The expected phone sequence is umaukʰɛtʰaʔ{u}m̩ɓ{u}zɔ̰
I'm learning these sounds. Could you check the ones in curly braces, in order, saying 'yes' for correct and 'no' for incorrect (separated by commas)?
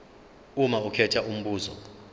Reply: yes, no